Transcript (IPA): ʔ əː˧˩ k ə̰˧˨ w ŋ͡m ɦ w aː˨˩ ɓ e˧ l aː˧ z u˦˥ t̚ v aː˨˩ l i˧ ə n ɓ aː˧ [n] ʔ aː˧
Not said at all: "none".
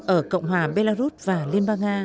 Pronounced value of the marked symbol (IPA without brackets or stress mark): ŋ